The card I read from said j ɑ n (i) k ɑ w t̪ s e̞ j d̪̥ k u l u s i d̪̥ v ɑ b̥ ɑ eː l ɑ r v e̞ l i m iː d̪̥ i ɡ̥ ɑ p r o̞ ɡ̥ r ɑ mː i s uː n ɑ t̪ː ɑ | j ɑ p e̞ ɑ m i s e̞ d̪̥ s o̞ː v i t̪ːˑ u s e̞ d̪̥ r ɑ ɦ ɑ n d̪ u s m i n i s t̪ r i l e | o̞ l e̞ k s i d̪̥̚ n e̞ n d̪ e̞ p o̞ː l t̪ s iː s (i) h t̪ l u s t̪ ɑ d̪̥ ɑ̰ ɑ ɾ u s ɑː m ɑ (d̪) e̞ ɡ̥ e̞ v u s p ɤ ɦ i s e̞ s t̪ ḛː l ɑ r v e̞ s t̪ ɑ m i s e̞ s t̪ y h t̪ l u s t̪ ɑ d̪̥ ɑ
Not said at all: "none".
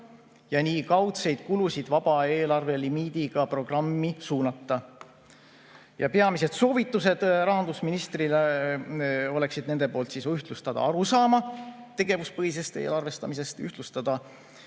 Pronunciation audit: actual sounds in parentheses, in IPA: iː, y, t̪

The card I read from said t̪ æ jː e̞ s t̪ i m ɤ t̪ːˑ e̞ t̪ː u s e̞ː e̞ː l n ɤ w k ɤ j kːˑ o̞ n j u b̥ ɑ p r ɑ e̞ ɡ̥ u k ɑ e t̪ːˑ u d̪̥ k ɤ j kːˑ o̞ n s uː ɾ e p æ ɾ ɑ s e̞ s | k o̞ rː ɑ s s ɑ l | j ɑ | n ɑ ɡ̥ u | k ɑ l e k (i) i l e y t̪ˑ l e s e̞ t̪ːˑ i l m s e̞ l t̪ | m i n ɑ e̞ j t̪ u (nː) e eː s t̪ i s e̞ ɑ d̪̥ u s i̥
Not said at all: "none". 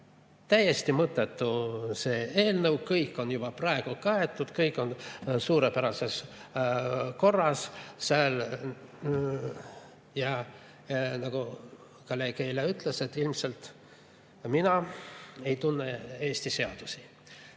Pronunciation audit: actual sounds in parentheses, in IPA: e, nː

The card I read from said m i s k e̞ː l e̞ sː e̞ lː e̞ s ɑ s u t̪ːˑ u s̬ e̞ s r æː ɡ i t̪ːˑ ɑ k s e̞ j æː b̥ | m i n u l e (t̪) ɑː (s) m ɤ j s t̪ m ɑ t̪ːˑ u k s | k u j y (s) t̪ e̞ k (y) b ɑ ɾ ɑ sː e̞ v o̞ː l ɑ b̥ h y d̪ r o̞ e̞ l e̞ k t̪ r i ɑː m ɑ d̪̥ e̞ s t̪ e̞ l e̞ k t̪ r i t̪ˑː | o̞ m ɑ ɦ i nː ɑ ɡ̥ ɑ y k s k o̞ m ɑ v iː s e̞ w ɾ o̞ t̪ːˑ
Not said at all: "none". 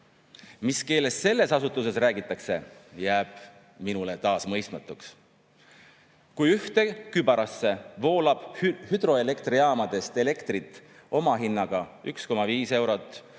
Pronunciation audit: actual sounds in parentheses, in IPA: t̪, s, h, y

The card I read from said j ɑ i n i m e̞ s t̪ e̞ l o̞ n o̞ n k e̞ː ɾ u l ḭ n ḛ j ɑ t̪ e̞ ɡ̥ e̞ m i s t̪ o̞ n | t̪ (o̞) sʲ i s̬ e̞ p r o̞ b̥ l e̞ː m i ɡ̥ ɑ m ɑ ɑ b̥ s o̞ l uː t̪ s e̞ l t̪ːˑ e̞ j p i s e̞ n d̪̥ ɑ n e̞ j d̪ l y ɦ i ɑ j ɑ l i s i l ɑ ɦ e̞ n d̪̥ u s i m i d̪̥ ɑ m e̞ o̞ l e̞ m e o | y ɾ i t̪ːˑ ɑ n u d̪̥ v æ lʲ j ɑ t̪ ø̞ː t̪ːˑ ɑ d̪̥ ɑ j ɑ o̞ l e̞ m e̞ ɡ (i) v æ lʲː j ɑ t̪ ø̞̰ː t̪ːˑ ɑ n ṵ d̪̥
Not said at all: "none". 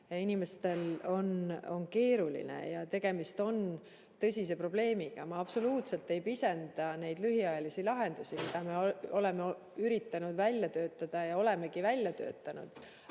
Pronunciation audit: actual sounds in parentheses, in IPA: ɤ̞, i

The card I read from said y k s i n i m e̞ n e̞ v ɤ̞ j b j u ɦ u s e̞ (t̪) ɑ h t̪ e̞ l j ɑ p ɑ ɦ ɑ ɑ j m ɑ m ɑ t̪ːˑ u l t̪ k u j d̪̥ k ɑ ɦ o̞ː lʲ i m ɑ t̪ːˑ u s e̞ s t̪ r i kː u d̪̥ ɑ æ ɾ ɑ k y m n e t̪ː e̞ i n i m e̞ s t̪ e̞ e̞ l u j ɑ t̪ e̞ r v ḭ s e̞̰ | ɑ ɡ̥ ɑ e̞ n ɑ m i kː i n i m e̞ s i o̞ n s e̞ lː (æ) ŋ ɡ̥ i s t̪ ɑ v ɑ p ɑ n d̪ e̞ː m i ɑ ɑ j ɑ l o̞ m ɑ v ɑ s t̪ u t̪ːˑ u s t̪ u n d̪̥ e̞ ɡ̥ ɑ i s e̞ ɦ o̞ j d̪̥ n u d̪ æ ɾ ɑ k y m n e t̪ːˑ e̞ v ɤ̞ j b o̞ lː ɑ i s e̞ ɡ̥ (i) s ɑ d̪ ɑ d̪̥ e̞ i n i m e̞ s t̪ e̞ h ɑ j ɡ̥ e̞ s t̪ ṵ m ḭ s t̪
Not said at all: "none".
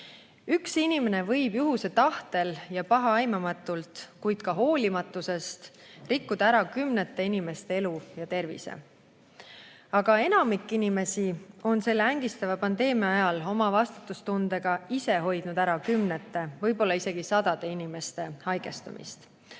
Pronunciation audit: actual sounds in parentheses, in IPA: t̪, æ, i

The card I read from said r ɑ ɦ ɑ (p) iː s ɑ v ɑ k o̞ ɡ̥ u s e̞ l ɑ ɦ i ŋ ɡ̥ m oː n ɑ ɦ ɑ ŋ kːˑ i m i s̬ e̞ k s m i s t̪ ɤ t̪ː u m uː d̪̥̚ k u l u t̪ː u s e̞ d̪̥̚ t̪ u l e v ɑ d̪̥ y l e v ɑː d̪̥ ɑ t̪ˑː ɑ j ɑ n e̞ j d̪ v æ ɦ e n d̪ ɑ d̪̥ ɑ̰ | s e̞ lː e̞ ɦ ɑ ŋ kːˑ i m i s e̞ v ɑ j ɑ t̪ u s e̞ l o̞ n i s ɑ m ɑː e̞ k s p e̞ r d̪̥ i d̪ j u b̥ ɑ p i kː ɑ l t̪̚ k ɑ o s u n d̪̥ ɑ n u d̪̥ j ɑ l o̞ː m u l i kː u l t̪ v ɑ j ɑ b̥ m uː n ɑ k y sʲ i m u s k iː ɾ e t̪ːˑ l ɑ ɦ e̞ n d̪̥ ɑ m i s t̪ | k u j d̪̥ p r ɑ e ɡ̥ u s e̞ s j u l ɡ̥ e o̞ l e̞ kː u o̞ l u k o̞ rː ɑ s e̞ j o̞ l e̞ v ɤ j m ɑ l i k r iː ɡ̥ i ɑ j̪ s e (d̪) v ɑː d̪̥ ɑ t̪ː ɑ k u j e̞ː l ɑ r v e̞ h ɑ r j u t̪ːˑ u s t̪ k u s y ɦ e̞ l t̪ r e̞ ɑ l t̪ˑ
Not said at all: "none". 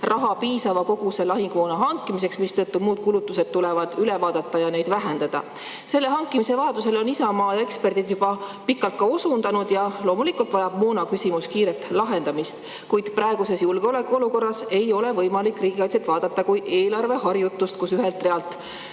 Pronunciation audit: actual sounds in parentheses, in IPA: p, t̪

